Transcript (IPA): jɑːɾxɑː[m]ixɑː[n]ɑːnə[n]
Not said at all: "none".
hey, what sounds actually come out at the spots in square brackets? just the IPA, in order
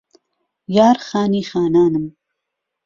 n, n, m

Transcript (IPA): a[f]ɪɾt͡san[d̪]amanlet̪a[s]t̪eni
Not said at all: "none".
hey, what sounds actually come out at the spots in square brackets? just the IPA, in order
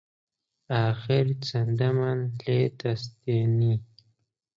x, d̪, s

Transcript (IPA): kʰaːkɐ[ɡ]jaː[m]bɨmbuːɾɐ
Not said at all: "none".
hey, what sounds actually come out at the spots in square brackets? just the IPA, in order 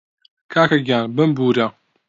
ɡ, n

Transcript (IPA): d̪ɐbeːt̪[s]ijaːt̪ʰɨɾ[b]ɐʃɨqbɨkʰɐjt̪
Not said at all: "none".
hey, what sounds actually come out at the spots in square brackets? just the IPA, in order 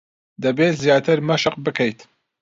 z, m

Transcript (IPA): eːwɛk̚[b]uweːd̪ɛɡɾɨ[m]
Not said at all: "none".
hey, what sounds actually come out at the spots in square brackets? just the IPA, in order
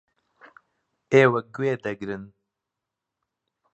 ɡ, n

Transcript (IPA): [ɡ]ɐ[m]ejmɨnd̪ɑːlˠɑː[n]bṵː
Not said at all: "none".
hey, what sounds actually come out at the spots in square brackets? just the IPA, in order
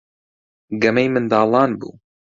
ɡ, m, n

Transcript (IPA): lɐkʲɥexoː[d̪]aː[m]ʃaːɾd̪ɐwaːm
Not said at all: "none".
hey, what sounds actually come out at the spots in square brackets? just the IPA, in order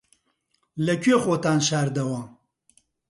t̪, n

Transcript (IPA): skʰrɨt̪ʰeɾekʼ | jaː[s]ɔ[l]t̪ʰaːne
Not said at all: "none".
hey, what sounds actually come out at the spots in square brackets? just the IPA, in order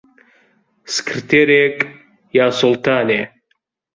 s, l

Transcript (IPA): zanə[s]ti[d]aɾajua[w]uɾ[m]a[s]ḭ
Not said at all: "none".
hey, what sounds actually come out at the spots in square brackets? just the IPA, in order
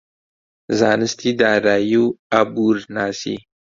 s, d, b, n, s

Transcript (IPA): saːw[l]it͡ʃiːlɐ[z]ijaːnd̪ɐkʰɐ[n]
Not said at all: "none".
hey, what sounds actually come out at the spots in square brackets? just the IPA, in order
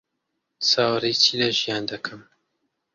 ɾ, ʒ, m

